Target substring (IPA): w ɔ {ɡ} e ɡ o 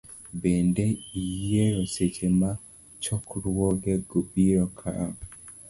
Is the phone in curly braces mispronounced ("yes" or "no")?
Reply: no